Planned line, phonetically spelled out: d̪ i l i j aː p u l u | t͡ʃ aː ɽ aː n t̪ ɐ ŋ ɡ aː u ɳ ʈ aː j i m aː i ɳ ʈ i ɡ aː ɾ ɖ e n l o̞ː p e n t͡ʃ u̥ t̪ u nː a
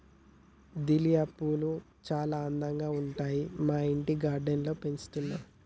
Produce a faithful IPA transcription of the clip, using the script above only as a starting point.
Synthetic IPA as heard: d̪ i l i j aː p u l u | t͡ʃ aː l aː n d̪ ɐ ŋ ɡ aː u ɳ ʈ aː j i m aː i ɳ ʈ i ɡ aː ɾ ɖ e n l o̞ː p e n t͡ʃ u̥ t̪ u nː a